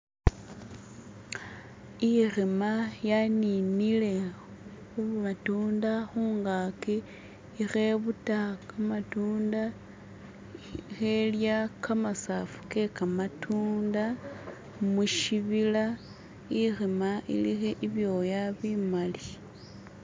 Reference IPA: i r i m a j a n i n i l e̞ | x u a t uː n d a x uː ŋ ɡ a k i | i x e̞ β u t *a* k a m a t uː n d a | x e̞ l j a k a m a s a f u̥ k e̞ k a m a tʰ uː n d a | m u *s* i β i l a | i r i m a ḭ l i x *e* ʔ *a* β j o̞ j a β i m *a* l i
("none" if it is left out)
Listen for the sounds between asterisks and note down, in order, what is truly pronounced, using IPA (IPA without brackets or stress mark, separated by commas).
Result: a, ʃ, e, i, a